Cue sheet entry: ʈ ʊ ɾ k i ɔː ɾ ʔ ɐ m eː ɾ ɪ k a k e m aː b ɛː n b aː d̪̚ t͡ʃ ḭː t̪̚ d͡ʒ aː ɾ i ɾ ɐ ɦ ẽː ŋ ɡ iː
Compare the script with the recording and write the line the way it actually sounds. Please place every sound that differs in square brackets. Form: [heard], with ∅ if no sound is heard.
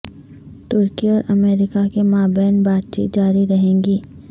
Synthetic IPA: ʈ ʊ ɾ k i ɔː ɾ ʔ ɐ m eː ɾ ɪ k a k e m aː b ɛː n b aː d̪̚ t͡ʃ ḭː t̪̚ d͡ʒ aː ɾ i ɾ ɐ ɦ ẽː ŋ ɡ iː